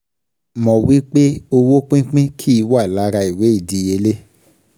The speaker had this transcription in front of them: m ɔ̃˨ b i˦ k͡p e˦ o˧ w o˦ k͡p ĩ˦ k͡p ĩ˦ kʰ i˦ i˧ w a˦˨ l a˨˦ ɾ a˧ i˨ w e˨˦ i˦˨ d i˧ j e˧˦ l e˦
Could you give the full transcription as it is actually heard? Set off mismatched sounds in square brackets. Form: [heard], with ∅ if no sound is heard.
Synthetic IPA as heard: m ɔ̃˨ [w] i˦ k͡p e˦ o˧ w o˦ k͡p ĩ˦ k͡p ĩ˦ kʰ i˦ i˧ w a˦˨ l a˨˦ ɾ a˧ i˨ w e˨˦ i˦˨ d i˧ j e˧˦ l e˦